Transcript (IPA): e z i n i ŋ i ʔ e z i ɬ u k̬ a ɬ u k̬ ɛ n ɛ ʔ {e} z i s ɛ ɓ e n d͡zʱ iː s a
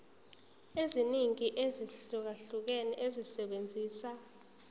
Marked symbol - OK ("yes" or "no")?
yes